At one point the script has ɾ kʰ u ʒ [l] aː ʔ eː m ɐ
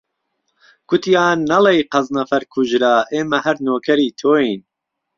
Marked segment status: incorrect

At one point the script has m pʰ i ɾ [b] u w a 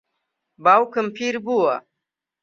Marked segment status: correct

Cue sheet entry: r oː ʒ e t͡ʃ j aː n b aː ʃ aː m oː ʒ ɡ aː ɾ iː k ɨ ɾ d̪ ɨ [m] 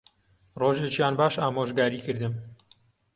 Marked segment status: correct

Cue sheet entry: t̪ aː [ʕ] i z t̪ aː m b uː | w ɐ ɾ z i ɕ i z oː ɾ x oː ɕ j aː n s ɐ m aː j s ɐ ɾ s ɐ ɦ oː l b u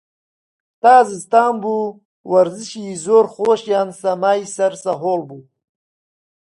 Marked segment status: incorrect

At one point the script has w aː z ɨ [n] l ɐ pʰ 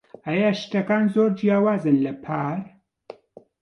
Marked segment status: correct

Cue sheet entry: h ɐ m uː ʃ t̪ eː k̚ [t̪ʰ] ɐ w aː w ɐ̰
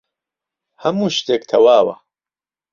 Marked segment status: correct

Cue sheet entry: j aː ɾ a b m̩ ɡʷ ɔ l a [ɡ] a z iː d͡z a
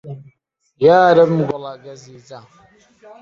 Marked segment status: correct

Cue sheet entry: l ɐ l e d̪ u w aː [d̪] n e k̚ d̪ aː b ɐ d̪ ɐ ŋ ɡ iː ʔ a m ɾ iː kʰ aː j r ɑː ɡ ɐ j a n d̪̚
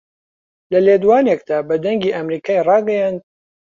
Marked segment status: incorrect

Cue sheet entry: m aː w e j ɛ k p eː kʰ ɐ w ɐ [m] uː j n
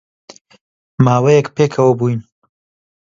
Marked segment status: incorrect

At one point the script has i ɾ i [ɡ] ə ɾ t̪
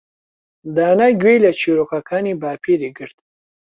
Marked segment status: correct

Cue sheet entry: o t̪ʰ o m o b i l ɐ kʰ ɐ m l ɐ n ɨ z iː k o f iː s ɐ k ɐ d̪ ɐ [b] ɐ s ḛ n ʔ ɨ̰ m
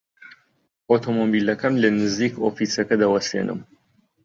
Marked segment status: incorrect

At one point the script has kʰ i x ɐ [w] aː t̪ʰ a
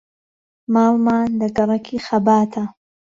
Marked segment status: incorrect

